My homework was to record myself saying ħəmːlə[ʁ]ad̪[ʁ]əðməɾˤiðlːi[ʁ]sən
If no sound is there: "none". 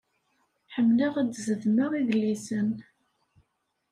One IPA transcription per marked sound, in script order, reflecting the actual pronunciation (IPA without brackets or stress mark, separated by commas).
ʁ, z, none